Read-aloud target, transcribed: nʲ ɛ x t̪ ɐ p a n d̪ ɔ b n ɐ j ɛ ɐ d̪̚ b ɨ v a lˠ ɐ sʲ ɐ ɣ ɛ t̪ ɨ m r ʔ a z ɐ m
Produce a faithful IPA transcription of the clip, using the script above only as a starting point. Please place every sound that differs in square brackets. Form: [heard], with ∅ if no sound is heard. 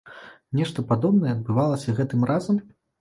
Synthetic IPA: nʲ ɛ [ʂ] t̪ ɐ p a [∅] d̪ ɔ b n ɐ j ɛ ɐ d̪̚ b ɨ v a lˠ ɐ sʲ ɐ ɣ ɛ t̪ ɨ m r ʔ a z ɐ m